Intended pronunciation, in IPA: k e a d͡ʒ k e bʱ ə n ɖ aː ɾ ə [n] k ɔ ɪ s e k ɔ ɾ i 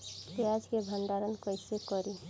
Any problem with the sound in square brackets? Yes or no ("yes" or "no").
no